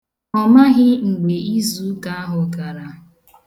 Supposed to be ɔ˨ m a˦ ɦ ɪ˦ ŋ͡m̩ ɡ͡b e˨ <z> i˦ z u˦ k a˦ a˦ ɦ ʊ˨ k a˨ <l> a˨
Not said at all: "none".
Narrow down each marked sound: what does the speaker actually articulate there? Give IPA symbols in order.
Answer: none, ɾ

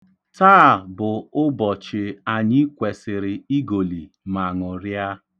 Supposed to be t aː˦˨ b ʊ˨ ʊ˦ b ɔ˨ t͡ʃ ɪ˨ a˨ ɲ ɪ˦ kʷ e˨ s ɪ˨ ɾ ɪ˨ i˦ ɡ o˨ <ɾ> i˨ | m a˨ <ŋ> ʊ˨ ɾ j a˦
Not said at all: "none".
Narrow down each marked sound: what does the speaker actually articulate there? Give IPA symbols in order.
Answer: l, ŋ

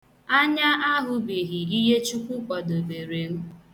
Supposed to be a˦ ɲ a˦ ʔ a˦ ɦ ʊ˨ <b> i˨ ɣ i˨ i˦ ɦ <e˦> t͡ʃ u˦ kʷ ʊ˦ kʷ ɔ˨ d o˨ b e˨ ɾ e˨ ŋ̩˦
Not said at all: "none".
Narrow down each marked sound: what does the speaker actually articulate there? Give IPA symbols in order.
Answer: b, e˦

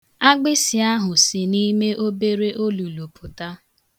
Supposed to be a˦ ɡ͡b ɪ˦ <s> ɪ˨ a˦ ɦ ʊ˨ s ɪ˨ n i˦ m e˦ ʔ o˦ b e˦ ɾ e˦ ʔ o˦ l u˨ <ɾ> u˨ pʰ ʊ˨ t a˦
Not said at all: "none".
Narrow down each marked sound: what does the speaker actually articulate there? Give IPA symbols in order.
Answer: s, l

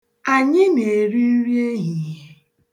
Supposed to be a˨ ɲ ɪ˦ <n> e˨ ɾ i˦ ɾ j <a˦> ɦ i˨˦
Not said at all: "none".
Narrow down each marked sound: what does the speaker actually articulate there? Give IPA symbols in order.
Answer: n, e˦

